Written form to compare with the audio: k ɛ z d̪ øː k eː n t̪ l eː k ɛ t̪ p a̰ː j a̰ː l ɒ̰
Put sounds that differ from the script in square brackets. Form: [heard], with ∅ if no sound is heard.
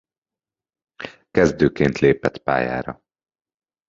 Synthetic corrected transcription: k ɛ z d̪ øː k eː n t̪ l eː [p] ɛ t̪ p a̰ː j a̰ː [ɾ] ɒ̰